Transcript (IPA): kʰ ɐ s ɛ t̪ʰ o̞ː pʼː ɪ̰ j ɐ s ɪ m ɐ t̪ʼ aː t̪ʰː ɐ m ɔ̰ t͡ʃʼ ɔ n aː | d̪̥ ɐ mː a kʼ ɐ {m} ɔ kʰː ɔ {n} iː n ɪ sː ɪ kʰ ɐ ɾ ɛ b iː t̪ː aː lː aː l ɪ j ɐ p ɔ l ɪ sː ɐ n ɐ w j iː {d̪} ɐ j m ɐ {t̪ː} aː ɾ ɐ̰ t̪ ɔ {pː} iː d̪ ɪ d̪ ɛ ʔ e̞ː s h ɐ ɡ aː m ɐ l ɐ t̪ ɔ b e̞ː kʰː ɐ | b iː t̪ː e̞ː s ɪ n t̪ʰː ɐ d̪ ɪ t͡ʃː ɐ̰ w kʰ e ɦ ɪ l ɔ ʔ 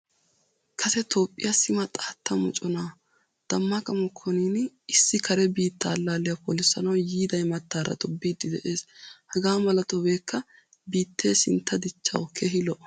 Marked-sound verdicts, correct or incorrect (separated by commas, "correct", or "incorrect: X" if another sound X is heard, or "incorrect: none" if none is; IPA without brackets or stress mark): correct, correct, correct, correct, incorrect: bː